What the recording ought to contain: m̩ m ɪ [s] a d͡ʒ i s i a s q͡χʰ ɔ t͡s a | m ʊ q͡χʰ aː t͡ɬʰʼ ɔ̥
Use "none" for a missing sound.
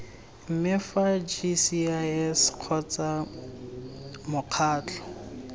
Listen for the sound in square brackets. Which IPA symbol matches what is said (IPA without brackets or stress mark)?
f